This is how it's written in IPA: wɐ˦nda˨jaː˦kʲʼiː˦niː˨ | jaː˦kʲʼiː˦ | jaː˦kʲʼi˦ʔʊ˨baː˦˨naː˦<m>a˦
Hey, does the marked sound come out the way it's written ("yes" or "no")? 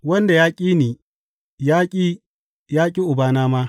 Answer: yes